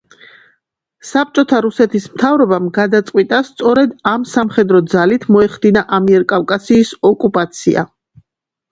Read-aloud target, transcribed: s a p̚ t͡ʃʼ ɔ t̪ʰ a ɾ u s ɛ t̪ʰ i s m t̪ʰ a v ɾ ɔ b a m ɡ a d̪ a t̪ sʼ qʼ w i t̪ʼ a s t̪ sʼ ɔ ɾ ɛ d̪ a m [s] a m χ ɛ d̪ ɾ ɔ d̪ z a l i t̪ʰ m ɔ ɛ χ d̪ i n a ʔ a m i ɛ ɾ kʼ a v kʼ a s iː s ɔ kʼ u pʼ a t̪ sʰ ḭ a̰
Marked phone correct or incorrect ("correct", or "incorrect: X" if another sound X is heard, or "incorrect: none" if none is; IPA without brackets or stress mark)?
correct